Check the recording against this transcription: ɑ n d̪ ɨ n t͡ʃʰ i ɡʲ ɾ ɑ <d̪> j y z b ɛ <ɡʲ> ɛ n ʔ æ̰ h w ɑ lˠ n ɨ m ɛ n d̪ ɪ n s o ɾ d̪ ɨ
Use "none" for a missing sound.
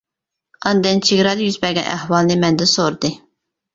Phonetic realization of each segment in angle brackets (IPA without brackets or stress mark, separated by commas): d̪, ɡʲ